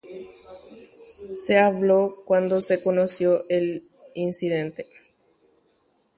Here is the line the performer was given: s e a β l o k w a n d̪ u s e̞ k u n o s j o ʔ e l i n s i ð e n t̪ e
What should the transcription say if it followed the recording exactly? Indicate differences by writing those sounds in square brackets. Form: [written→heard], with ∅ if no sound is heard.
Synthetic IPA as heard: s e a β l o k w a n d̪ [u→o] s e̞ k [u→o] n o s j o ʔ e l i n s i ð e n t̪ e